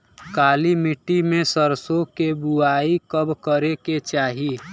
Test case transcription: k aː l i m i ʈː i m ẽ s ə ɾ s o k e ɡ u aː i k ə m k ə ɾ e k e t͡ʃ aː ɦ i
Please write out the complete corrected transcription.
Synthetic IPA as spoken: k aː l i m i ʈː i m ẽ s ə ɾ s o k e b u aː i k ə b k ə ɾ e k e t͡ʃ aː ɦ i